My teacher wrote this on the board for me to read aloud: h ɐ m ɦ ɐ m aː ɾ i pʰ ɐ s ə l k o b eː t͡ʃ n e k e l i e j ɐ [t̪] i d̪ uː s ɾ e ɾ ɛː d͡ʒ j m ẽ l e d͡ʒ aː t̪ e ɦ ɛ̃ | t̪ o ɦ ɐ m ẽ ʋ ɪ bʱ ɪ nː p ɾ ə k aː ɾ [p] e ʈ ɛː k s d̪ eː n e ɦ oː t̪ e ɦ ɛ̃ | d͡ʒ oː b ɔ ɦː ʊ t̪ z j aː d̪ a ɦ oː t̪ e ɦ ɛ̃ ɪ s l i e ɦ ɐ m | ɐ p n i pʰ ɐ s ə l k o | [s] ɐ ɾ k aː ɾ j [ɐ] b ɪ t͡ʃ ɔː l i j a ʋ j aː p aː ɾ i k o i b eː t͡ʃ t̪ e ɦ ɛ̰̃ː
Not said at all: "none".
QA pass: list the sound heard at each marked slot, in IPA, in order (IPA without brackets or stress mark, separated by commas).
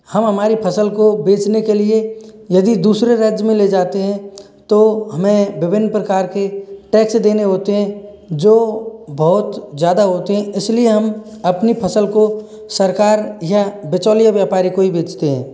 d̪, k, s, a